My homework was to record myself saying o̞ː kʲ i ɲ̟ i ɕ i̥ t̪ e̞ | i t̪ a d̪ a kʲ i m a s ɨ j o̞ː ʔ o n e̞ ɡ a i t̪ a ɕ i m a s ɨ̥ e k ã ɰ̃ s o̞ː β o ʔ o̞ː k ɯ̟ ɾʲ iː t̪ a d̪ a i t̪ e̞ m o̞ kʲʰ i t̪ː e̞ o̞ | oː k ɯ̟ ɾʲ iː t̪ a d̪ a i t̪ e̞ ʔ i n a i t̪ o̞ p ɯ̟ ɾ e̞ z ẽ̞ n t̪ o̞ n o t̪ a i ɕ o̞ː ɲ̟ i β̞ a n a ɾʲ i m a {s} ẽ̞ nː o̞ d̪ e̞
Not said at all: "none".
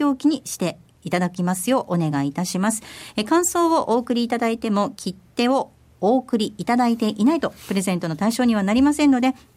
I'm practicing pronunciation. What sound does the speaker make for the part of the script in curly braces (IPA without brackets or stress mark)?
s